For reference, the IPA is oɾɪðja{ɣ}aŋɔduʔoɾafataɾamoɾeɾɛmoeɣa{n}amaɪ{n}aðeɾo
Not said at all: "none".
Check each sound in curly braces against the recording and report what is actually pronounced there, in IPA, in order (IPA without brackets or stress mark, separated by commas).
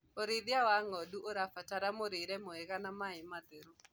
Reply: w, n, m